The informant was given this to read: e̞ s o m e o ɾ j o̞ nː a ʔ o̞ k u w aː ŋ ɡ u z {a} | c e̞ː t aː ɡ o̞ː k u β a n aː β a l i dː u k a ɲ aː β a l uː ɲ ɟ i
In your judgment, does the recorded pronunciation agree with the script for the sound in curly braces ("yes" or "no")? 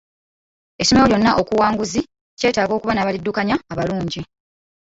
no